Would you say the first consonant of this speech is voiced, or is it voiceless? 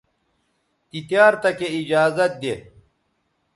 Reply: voiceless